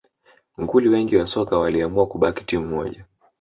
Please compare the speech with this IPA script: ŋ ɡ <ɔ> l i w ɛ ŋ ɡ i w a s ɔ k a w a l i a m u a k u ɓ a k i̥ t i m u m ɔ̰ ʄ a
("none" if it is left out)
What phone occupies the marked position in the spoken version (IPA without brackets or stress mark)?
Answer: u